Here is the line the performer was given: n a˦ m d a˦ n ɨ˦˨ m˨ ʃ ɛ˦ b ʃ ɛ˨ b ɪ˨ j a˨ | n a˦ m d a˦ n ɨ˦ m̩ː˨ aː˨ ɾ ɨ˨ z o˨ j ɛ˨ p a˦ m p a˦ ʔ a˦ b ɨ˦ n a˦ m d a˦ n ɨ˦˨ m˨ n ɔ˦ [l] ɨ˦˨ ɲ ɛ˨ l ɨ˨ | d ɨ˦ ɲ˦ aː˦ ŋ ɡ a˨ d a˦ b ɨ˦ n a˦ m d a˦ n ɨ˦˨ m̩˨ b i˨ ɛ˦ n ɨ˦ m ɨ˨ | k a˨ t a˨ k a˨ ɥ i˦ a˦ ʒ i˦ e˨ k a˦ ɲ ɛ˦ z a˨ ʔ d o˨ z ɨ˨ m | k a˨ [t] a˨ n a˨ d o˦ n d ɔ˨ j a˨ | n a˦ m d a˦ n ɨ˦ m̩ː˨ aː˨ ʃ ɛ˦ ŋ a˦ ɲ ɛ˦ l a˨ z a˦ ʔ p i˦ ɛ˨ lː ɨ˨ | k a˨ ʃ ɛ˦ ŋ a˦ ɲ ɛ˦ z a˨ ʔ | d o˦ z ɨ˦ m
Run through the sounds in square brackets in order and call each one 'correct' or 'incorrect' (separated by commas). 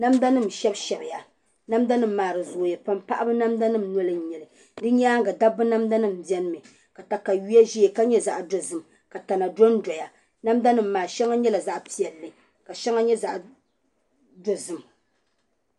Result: correct, correct